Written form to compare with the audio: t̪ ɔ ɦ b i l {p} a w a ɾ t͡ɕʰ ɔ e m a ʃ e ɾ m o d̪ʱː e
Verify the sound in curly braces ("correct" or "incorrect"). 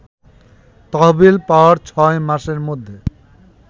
correct